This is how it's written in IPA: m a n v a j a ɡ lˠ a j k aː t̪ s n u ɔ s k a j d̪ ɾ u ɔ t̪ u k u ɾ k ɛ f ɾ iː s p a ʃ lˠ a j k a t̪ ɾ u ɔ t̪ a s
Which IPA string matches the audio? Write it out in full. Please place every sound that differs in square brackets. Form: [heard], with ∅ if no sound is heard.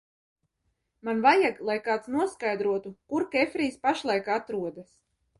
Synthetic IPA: m a n v a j a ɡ lˠ a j k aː t̪ s n u ɔ s k a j d̪ ɾ u ɔ t̪ u k u ɾ k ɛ f ɾ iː s p a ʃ lˠ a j k a t̪ ɾ u ɔ [d̪] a s